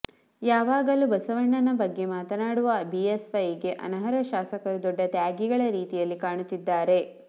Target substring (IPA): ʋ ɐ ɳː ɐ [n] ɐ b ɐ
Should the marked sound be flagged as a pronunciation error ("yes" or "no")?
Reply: no